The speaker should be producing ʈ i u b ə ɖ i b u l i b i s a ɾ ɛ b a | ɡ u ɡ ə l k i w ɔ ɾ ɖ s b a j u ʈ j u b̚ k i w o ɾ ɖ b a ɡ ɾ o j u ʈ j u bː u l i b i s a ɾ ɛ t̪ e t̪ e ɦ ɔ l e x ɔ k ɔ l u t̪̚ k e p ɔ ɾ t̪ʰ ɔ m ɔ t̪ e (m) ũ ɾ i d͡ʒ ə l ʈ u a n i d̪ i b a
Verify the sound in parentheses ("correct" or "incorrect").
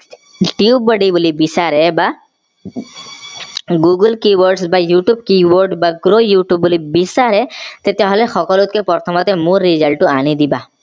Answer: correct